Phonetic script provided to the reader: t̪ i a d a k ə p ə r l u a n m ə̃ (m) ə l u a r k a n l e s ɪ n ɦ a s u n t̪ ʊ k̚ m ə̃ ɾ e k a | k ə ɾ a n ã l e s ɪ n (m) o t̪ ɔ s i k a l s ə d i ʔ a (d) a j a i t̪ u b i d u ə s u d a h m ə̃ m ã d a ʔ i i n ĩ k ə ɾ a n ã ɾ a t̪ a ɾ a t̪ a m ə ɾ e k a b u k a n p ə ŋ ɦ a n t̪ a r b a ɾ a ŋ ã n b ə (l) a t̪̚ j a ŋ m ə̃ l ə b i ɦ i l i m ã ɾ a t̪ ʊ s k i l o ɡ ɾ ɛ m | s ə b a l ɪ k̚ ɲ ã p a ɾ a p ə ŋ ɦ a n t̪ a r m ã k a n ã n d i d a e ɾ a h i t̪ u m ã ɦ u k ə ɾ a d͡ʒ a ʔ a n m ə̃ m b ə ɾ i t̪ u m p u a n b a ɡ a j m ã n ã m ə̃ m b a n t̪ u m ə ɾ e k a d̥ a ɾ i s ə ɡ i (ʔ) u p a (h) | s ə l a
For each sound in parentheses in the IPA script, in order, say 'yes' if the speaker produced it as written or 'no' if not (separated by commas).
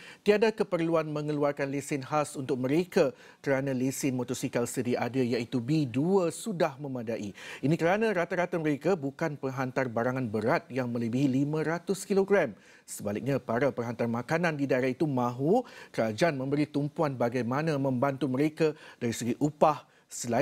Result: no, yes, yes, no, yes, yes